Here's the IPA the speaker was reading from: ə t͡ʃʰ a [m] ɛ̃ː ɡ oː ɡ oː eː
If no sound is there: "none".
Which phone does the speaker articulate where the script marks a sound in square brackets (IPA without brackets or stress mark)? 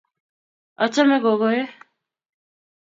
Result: m